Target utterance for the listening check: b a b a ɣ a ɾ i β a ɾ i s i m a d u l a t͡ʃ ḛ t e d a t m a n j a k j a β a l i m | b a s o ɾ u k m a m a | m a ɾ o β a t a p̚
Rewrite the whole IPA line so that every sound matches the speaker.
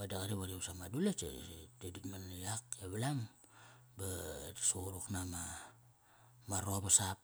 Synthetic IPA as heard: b a d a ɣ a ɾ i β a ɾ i s a m a d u l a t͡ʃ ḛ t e d i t m a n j a k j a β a l a m | b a s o ɾ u k n a m a | m a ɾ o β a s a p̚